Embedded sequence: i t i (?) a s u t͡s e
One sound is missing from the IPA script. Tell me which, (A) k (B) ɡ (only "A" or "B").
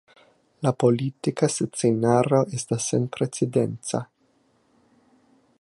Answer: A